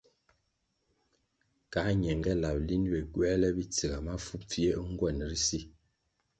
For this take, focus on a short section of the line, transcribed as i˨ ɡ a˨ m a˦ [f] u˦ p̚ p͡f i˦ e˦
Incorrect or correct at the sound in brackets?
correct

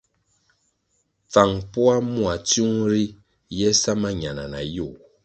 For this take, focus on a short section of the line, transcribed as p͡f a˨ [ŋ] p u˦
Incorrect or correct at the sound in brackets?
correct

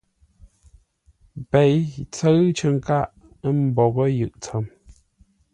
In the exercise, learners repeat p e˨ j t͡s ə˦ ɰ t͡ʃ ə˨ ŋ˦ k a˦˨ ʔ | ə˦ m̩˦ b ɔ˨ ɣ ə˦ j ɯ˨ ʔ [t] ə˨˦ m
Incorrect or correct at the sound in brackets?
incorrect: t͡s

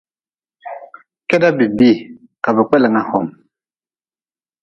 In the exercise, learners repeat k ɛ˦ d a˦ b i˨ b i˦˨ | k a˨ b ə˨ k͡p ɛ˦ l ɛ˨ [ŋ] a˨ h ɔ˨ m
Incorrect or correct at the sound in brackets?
correct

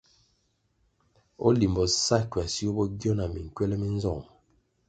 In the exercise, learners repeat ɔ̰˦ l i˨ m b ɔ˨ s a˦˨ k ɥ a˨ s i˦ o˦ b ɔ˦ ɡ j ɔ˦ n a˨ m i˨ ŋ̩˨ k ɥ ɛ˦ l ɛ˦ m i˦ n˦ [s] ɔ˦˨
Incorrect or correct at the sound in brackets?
incorrect: z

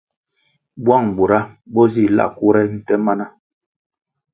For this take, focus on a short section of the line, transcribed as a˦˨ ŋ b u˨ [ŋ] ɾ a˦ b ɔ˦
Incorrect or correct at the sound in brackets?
incorrect: none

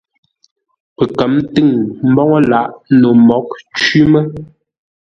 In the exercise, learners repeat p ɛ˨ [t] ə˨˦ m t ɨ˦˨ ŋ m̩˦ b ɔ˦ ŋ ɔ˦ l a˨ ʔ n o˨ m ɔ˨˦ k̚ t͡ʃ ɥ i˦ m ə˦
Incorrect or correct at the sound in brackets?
incorrect: k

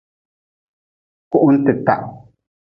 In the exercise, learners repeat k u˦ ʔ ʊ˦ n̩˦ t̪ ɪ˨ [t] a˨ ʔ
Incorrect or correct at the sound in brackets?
correct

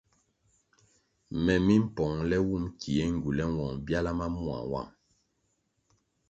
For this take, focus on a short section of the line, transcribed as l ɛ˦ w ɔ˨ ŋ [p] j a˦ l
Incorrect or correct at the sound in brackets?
incorrect: b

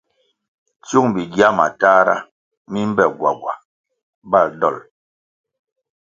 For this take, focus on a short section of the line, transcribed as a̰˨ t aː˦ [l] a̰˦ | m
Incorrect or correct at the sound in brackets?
incorrect: ɾ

